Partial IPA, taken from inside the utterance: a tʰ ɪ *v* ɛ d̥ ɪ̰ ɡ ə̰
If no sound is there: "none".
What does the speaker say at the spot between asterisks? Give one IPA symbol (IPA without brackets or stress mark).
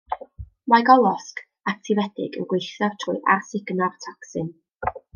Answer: v